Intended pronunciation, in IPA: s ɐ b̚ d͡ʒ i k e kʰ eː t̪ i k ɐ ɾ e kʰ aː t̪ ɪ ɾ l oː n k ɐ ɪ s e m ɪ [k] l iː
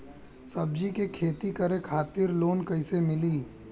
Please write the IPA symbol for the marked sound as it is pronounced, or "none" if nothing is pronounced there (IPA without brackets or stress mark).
none